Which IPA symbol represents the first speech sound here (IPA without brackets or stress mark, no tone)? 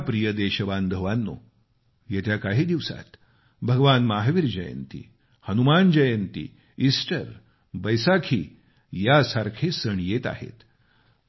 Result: p